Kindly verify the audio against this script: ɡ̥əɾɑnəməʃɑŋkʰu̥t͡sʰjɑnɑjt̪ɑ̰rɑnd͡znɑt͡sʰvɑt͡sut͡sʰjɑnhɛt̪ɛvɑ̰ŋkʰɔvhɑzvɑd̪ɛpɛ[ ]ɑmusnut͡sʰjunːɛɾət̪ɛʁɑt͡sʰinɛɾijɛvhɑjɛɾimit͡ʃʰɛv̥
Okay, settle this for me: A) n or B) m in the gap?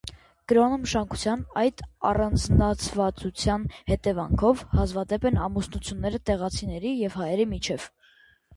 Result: A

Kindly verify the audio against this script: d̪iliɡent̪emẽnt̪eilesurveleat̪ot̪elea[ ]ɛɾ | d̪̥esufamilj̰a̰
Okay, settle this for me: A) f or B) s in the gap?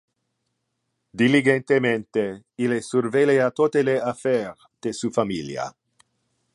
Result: A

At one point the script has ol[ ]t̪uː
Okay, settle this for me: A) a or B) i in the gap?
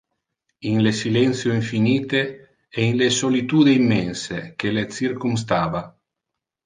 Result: B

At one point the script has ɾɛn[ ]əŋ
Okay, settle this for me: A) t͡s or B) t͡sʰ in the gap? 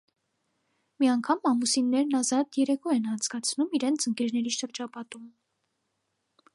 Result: B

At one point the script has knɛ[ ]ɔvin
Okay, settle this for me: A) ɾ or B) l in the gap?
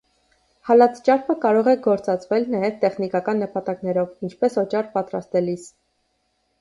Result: A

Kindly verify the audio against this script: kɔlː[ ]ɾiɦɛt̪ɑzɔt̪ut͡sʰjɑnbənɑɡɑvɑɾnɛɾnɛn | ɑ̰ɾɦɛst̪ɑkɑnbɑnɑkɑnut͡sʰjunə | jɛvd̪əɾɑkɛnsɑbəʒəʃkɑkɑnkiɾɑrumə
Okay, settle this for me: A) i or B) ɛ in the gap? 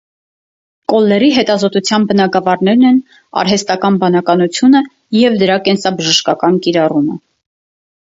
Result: B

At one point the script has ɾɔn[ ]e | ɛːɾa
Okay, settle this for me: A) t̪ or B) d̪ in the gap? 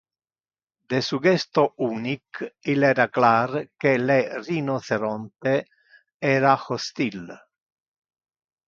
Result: A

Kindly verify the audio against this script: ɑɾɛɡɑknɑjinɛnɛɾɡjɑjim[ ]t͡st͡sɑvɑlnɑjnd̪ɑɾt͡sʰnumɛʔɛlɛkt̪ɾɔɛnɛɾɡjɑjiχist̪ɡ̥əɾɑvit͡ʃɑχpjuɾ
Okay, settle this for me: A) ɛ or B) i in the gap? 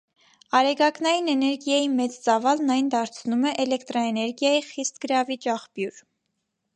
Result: A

